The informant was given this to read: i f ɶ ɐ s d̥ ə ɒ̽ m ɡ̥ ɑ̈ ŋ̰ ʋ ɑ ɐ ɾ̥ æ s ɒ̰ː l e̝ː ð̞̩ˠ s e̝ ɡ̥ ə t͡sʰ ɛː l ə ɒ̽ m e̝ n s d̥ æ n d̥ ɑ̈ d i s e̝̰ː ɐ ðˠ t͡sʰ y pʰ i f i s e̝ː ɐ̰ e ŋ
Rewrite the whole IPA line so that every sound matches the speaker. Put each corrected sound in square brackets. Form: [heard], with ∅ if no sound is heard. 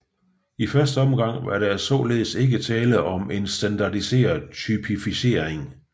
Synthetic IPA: i f ɶ ɐ s d̥ ə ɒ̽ m ɡ̥ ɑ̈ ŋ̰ ʋ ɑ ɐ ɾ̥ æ s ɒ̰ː l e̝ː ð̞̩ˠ s e̝ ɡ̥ ə t͡sʰ ɛː l ə ɒ̽ m e̝ n s d̥ æ n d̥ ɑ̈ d i s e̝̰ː ɐ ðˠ t͡sʰ y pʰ i f i s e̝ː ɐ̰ e ŋ